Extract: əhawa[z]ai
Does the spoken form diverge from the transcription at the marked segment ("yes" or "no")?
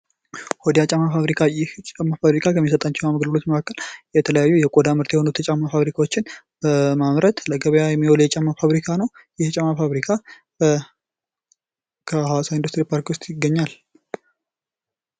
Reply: yes